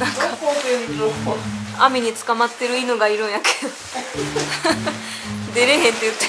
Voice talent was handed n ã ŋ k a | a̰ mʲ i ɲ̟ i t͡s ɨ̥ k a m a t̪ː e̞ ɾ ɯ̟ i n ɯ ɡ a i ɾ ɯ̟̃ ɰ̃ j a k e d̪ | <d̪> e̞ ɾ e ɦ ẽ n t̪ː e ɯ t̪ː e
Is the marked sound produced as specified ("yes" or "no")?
yes